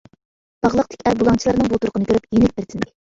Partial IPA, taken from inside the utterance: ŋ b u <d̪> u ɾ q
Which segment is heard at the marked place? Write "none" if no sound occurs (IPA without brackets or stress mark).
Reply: t̪